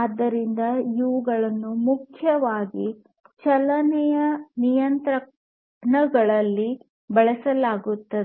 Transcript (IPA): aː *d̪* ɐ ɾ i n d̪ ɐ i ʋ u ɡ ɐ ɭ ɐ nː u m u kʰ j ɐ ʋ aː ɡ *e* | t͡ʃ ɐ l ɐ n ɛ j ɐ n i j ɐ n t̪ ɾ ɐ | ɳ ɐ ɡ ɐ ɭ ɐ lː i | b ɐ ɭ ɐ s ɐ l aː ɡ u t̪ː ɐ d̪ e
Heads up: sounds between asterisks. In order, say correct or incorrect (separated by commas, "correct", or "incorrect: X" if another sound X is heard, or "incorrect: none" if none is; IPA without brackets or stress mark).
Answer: incorrect: d̪ː, incorrect: i